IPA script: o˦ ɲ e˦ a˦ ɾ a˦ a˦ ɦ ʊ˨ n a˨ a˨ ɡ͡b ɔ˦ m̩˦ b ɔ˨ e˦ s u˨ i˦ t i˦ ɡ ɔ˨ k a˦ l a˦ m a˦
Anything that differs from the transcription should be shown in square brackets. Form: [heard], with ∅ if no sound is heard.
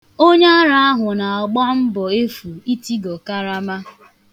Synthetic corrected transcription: o˦ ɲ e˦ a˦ ɾ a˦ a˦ ɦ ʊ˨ n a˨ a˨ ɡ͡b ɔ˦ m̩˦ b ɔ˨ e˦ [f] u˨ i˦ t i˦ ɡ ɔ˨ k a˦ [ɾ] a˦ m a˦